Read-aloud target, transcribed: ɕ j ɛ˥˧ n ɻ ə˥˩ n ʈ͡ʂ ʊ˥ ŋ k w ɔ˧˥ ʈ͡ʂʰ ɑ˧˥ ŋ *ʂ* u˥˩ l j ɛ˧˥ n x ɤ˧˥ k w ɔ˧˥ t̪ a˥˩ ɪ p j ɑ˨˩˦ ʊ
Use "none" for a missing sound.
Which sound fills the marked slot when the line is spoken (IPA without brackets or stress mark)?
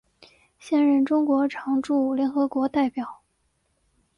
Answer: ʈ͡ʂ